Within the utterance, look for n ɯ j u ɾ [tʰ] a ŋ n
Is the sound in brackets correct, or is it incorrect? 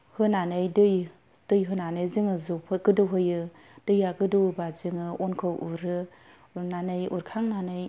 incorrect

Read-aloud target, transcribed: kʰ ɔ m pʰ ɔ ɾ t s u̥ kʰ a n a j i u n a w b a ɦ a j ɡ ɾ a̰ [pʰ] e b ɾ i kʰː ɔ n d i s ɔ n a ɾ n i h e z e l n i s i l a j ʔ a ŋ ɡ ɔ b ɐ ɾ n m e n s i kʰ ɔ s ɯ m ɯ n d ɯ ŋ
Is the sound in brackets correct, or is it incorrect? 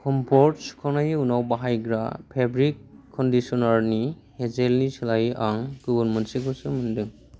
correct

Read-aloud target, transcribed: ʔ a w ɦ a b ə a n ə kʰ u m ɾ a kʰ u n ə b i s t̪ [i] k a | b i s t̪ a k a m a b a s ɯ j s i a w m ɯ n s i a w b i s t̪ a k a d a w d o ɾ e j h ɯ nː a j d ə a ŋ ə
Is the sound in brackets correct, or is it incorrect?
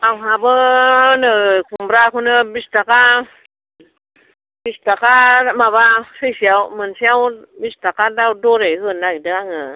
incorrect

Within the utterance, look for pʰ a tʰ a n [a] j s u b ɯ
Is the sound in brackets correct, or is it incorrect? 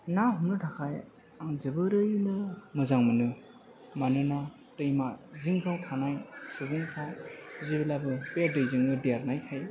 correct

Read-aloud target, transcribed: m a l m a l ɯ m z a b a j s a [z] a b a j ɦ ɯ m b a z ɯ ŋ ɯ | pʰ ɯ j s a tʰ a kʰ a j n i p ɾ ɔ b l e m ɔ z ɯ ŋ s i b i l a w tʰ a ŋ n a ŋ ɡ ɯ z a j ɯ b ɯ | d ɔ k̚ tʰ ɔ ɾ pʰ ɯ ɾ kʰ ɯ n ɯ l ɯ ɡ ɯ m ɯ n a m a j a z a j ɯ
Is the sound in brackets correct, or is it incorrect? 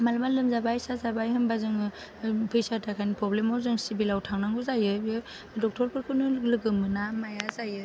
correct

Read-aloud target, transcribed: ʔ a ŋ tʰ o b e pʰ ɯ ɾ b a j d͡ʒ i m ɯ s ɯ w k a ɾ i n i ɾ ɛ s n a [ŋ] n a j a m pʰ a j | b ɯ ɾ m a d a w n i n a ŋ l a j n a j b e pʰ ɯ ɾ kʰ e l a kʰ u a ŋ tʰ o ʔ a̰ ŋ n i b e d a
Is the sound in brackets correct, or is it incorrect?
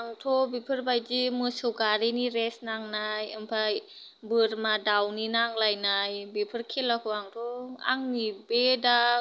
correct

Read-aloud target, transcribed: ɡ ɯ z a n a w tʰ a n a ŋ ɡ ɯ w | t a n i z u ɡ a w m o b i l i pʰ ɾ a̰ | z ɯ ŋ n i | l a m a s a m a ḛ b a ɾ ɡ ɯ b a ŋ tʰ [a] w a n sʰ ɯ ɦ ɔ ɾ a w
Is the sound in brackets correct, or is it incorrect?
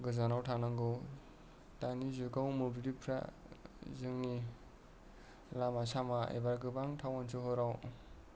correct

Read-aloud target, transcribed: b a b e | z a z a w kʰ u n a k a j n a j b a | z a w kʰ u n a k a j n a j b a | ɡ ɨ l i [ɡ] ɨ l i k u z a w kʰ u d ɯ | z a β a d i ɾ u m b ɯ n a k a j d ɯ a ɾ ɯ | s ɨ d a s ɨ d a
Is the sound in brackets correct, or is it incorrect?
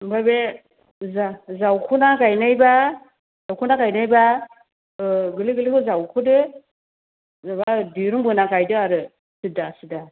correct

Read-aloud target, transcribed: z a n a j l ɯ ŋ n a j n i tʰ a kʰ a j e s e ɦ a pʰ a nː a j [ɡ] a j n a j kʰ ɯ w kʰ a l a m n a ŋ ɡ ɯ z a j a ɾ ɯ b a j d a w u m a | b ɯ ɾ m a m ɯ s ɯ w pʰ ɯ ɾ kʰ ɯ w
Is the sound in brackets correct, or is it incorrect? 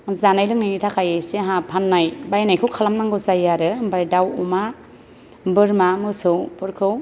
incorrect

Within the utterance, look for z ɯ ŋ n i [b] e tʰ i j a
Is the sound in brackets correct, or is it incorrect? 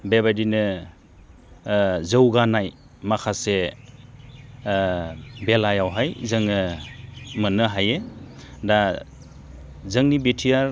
correct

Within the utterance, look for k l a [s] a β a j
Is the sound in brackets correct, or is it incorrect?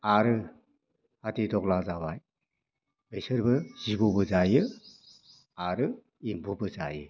incorrect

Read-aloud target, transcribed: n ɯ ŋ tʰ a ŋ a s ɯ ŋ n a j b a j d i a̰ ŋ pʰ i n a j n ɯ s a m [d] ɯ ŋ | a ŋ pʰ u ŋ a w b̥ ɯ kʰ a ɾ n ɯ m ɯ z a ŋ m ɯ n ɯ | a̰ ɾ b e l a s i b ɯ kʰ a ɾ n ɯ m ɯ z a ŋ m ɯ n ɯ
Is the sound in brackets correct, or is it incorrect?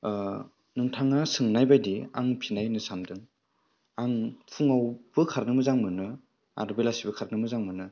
correct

